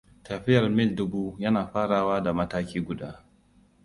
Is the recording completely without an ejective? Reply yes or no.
yes